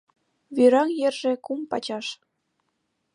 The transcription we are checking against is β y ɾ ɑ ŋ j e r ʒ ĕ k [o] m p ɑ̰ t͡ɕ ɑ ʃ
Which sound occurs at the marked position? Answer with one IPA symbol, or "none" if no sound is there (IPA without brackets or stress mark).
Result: u